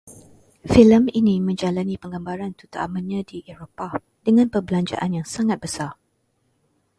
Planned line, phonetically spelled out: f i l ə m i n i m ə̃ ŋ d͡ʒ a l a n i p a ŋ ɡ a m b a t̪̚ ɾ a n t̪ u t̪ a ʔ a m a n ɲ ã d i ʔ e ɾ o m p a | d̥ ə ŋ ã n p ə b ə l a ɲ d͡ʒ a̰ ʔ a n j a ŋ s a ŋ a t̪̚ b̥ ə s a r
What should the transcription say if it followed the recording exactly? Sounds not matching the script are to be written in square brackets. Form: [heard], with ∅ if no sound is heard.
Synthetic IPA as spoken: f i l ə m i n i m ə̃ [ɲ] d͡ʒ a l a n i p [ə] ŋ ɡ a m b a [∅] ɾ a n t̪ u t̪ a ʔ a m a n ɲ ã d i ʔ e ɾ o [∅] p a | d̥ ə ŋ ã n p ə b ə l a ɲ d͡ʒ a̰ ʔ a n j a ŋ s a ŋ a t̪̚ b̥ ə s a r

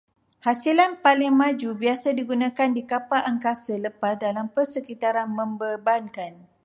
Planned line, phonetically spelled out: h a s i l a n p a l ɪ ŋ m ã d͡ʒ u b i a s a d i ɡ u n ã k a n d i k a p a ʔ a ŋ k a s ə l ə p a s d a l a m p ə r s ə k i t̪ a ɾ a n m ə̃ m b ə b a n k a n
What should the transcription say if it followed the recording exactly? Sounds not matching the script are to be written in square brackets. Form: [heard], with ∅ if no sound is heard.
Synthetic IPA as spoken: h a s i l a n p a l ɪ ŋ m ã d͡ʒ u b i a s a d i ɡ u n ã k a n d i k a p a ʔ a ŋ k a s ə l ə p a s d a l a m p ə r s ə k i t̪ a ɾ a n m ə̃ m b ə b a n k a n

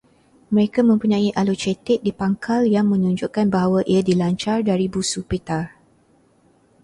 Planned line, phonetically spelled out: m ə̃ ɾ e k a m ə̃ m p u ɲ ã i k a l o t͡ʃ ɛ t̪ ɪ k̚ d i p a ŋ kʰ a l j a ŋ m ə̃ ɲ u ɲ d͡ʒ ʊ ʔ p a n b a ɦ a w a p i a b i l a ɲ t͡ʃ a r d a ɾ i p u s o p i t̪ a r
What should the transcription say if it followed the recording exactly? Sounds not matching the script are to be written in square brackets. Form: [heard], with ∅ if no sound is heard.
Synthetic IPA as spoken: m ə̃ ɾ e k a m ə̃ m p u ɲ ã i [ʔ] a l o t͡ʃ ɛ t̪ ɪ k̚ d i p a ŋ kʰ a l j a ŋ m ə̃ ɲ u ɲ d͡ʒ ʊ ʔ [k] a n b a ɦ a w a [ʔ] i a [d] i l a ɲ t͡ʃ a r d a ɾ i [b] u s [u] p i t̪ a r

